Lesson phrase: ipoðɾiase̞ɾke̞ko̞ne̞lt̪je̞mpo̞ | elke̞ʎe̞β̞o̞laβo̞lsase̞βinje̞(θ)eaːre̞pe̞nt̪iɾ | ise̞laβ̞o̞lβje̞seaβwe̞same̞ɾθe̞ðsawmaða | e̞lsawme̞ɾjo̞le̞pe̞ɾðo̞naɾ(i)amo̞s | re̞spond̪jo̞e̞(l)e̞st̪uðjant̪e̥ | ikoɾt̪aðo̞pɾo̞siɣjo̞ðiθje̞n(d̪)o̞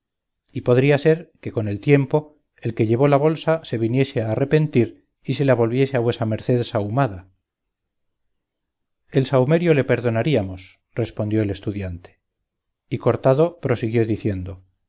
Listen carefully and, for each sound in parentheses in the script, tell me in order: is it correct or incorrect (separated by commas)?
incorrect, correct, correct, correct